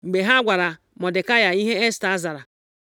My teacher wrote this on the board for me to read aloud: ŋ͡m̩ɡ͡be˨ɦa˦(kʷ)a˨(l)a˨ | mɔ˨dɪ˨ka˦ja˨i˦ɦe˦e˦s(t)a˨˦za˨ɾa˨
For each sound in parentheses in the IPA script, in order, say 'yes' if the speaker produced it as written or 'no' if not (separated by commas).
no, no, yes